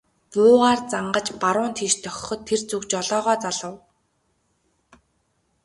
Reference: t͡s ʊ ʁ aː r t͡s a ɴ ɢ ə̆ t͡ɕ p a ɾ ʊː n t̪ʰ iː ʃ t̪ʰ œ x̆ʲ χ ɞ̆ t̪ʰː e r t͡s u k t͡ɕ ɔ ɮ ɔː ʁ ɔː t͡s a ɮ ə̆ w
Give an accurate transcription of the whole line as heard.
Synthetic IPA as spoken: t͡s ʊː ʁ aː r t͡s a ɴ ɢ ə̆ t͡ɕ p a ɾ ʊː n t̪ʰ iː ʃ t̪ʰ œ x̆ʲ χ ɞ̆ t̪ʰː e r t͡s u k t͡ɕ ɔ ɮ ɔː ʁ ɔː t͡s a ɮ ə̆ w